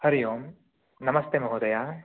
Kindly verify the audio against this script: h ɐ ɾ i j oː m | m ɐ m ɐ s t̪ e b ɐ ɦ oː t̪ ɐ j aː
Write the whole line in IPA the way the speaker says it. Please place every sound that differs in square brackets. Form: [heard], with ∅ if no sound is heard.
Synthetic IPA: h ɐ ɾ i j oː m | [n] ɐ m ɐ s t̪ e [m] ɐ ɦ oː [d̪] ɐ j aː